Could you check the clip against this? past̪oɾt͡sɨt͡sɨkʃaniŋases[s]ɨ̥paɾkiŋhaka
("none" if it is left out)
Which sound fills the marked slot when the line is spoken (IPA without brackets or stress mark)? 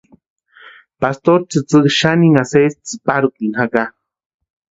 t͡s